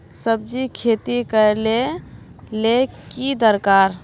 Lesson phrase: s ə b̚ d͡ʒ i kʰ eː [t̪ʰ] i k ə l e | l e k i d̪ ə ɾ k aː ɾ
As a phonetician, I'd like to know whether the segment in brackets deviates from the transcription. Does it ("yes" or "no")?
yes